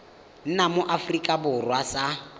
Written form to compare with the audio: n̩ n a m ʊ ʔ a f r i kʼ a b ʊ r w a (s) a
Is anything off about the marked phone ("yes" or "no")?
no